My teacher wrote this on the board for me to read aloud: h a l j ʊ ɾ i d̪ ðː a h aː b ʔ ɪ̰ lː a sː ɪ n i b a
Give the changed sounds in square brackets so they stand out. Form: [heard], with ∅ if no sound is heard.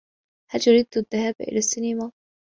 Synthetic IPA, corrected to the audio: h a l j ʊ ɾ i d̪ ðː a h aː b ʔ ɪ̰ [l] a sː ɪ n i [m] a